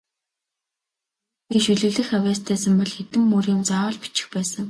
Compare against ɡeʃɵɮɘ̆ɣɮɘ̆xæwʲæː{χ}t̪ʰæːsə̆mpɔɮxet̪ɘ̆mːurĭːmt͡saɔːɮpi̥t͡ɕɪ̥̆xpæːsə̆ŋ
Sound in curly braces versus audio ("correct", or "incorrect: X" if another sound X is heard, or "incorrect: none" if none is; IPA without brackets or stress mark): incorrect: s